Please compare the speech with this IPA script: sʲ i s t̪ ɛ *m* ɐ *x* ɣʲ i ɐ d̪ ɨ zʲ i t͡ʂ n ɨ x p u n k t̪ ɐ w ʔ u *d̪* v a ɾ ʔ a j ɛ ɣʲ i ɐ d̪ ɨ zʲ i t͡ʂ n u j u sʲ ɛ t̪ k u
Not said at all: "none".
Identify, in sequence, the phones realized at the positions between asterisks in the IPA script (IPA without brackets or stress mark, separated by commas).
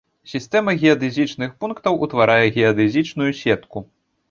m, none, t̪